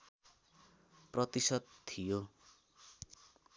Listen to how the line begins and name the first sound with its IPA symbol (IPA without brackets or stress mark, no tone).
p